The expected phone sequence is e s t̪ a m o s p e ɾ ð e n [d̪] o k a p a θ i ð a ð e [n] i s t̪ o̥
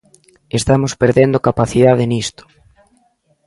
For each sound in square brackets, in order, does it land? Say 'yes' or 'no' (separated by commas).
yes, yes